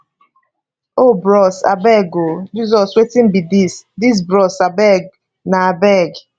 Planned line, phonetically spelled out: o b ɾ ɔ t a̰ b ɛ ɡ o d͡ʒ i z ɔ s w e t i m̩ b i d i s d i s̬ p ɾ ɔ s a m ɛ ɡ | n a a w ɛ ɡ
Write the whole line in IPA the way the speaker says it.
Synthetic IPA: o b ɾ ɔ s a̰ b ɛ ɡ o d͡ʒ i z ɔ s w e t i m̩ b i d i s d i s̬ b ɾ ɔ s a b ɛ ɡ | n a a b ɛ ɡ